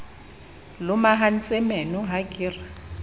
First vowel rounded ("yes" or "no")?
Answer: yes